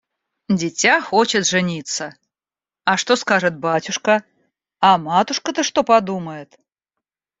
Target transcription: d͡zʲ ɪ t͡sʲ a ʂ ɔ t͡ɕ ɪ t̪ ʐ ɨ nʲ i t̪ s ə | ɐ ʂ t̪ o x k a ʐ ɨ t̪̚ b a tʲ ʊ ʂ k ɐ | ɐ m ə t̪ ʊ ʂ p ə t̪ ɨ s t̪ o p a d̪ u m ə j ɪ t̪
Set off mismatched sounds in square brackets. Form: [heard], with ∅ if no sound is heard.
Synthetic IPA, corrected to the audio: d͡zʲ ɪ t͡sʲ a [x] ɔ t͡ɕ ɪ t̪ ʐ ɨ nʲ i t̪ s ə | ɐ ʂ t̪ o [s] k a ʐ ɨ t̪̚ b a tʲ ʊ ʂ k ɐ | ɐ m [a] t̪ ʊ ʂ [k] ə t̪ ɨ [ʂ] t̪ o p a d̪ u m ə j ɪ t̪